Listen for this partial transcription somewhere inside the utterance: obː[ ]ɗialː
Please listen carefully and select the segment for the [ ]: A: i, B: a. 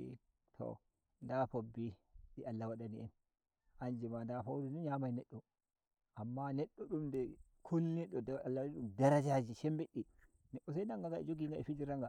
A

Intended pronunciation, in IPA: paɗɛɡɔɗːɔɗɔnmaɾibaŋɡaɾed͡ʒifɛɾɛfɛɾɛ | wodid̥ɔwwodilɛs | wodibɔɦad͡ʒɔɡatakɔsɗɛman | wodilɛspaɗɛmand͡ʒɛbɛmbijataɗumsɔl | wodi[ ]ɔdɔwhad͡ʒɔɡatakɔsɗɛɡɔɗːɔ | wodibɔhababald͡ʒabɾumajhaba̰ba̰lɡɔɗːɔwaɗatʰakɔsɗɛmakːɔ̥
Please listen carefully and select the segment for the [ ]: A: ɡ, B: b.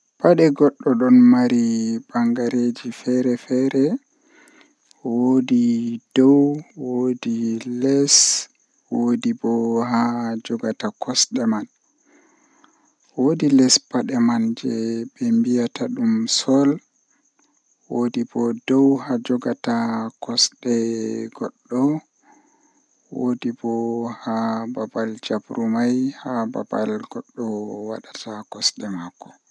B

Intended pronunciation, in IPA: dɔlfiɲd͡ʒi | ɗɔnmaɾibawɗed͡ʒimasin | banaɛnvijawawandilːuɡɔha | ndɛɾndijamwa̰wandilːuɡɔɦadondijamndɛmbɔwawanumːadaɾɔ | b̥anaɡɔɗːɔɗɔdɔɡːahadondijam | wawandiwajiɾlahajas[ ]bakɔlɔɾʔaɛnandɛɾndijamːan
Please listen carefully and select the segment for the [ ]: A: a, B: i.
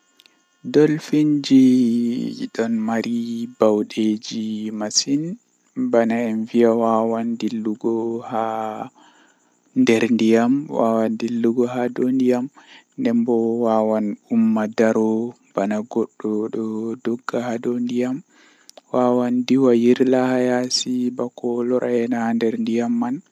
B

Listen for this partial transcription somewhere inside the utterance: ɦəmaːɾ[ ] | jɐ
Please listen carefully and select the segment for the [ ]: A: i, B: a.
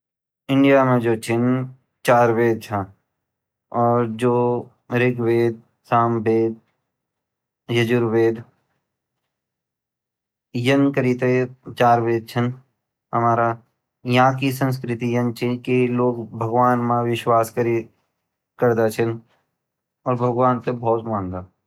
B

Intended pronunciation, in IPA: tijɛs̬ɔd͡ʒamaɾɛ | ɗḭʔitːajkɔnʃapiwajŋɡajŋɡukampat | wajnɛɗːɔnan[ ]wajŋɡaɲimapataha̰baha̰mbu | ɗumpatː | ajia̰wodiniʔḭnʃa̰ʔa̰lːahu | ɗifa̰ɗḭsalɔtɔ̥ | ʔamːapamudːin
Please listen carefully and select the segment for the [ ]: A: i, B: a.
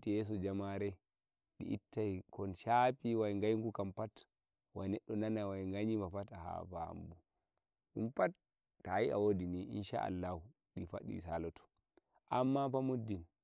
B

